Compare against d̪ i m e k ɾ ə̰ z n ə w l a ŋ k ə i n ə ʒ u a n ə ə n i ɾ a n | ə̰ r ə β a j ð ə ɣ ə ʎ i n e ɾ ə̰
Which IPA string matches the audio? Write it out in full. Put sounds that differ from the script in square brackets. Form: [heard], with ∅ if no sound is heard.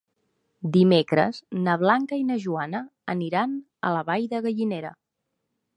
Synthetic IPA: d̪ i m e k ɾ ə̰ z n ə [β] l a ŋ k ə i n ə ʒ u a n ə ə n i ɾ a n | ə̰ [l] ə β a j ð ə ɣ ə ʎ i n e ɾ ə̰